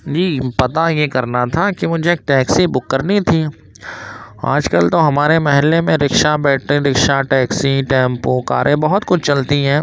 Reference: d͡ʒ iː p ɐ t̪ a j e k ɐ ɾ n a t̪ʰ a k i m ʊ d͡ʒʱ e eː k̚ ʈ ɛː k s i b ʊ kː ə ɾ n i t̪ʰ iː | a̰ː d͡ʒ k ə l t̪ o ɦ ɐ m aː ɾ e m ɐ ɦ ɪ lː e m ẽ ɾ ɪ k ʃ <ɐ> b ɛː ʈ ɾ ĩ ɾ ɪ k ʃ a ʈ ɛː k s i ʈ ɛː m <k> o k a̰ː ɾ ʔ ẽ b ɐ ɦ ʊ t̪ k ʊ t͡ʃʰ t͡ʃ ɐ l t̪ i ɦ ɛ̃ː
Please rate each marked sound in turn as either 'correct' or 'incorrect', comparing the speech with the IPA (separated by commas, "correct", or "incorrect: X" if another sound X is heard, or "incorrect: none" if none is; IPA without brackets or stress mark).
incorrect: a, incorrect: p